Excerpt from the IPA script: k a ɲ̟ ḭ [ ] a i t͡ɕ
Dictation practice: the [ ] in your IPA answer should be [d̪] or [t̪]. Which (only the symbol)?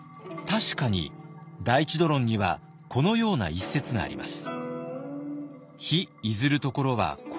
d̪